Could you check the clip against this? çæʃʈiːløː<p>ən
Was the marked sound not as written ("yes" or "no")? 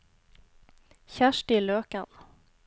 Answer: yes